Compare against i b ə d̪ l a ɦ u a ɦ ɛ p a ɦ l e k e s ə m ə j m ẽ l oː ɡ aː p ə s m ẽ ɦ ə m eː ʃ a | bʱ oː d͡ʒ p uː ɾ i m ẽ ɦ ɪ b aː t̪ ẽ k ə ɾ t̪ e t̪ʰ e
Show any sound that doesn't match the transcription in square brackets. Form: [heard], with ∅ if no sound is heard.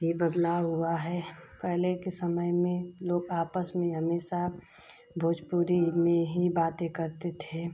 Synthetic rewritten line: i b ə d̪ l a ɦ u a ɦ ɛ p [ɛ] ɦ l e k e s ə m ə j m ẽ l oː ɡ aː p ə s m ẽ ɦ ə m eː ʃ a | bʱ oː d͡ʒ p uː ɾ i m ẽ ɦ [i] b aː t̪ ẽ k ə ɾ t̪ e t̪ʰ e

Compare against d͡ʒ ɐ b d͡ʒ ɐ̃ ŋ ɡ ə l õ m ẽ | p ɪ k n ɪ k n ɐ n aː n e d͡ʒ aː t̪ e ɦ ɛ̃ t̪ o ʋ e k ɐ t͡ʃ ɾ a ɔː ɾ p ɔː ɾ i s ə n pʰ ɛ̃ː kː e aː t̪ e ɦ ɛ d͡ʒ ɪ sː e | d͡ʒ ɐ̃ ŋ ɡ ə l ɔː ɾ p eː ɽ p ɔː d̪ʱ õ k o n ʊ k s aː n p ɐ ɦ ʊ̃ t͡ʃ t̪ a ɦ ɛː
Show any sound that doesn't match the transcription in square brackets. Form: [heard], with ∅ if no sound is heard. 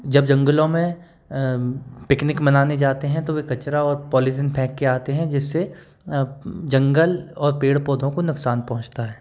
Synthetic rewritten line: d͡ʒ ɐ b d͡ʒ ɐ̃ ŋ ɡ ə l õ m ẽ | p ɪ k n ɪ k [m] ɐ n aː n e d͡ʒ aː t̪ e ɦ ɛ̃ t̪ o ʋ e k ɐ t͡ʃ ɾ a ɔː ɾ p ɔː [l] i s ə n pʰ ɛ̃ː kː e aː t̪ e ɦ [ɛ̃] d͡ʒ ɪ sː e | d͡ʒ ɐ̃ ŋ ɡ ə l ɔː ɾ p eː ɽ p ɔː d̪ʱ õ k o n ʊ k s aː n p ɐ ɦ ʊ̃ t͡ʃ t̪ a ɦ ɛː

